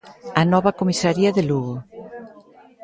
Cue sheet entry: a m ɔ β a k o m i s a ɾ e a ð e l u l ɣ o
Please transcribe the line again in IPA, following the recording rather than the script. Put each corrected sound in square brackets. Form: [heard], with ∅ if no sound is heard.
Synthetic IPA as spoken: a [n] ɔ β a k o m i s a ɾ [i] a ð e l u [∅] ɣ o